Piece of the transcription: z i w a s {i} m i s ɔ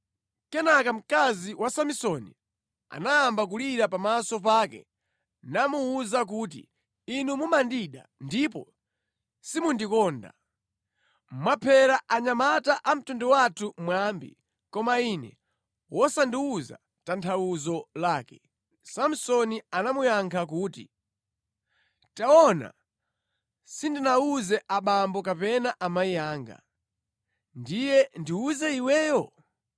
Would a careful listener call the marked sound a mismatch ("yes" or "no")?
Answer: yes